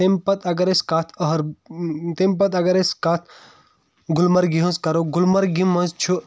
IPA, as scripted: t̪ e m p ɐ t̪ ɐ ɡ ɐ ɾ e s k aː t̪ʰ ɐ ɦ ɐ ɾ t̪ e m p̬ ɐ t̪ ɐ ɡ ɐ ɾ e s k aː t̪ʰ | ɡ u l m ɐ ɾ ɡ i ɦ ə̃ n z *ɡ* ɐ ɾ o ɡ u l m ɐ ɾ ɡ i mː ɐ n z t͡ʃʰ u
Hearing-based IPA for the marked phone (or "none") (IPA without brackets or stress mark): k